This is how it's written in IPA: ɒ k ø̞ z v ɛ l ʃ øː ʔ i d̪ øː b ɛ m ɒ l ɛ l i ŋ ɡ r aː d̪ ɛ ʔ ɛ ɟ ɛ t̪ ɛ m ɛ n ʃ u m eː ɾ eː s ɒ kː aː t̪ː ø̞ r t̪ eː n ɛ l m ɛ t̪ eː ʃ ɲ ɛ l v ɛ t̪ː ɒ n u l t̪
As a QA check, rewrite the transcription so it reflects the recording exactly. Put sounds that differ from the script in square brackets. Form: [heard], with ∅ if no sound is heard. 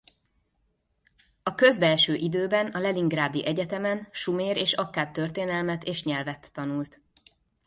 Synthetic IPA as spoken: ɒ k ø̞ z [b] ɛ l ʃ øː ʔ i d̪ øː b ɛ [n] ɒ l ɛ l i ŋ ɡ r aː d̪ [i] ʔ ɛ ɟ ɛ t̪ ɛ m ɛ n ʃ u m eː ɾ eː [ʃ] ɒ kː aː t̪ː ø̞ r t̪ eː n ɛ l m ɛ t̪ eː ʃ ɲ ɛ l v ɛ t̪ː ɒ n u l t̪